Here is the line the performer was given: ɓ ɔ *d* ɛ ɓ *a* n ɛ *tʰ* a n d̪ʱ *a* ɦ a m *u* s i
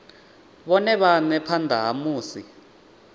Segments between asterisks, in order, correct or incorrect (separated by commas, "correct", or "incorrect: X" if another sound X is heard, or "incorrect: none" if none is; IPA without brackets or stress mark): incorrect: n, correct, incorrect: pʰ, correct, incorrect: uː